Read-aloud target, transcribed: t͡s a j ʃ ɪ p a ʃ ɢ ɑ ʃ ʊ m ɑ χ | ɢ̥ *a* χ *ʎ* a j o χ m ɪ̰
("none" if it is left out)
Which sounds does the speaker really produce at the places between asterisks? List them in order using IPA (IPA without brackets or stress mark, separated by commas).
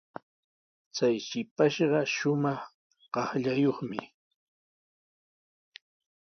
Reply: ɑ, ʎ